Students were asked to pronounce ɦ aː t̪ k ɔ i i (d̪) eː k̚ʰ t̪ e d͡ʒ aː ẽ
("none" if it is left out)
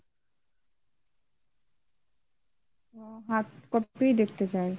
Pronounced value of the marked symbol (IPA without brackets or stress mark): d̪